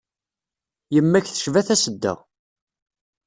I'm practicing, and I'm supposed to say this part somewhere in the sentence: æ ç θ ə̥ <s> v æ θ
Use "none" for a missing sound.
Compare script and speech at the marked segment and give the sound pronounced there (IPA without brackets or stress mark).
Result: ʃ